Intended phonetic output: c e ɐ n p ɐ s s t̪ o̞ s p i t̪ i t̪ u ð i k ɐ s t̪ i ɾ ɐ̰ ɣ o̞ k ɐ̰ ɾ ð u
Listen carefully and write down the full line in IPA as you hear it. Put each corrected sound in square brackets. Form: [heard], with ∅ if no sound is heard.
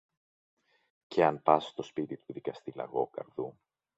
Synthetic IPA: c e ɐ n p ɐ s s t̪ o̞ s p i t̪ i t̪ u ð i k ɐ s t̪ i [l] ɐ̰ ɣ o̞ k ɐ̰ ɾ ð u